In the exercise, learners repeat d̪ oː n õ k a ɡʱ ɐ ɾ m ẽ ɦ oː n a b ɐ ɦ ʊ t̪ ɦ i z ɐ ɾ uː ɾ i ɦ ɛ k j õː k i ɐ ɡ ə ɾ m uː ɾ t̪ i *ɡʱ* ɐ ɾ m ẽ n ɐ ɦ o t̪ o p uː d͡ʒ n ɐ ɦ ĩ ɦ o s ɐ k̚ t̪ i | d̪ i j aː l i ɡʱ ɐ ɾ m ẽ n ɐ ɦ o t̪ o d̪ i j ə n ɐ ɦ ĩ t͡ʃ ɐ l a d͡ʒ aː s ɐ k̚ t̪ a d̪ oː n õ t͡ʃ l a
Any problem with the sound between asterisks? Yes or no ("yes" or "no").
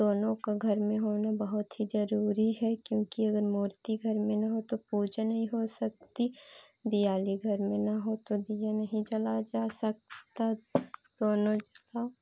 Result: no